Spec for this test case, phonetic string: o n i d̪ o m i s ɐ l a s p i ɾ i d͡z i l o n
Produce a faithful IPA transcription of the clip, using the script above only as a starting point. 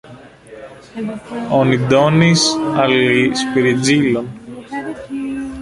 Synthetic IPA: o n i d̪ o n i s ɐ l i s p i ɾ i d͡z i l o n